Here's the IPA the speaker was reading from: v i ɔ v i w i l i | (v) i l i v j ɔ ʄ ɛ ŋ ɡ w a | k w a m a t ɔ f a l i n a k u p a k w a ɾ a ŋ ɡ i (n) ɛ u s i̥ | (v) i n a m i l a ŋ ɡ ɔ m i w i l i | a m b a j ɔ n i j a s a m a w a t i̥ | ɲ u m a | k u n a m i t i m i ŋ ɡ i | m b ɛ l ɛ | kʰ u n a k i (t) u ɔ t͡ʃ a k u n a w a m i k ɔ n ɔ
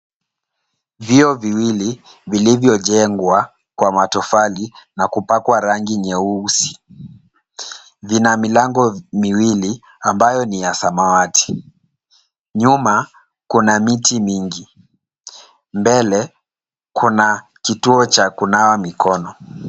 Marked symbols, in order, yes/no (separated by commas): yes, no, yes, yes